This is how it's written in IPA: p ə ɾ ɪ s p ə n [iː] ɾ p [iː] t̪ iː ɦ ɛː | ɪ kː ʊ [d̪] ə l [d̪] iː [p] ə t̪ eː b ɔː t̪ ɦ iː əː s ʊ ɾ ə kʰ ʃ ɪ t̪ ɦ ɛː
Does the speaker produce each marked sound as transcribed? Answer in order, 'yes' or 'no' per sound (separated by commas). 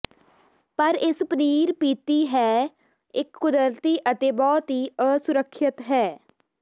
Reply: yes, yes, yes, no, no